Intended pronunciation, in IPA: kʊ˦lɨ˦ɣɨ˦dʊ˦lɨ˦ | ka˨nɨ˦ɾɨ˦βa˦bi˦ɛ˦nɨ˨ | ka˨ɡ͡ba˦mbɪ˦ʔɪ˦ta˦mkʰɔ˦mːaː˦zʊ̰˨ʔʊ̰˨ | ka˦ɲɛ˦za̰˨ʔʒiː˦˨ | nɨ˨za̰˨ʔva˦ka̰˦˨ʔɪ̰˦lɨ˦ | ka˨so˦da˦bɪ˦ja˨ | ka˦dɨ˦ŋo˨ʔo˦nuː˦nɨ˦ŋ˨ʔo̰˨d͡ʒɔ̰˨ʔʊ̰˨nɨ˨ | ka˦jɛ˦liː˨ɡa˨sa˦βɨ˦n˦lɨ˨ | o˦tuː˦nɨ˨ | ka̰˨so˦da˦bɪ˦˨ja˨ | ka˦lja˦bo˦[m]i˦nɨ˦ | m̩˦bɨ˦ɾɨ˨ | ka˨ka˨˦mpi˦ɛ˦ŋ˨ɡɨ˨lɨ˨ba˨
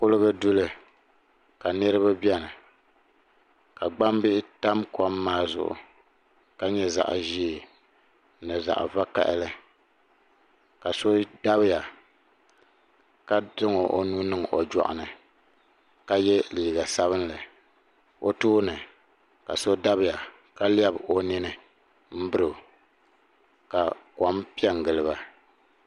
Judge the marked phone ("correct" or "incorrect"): incorrect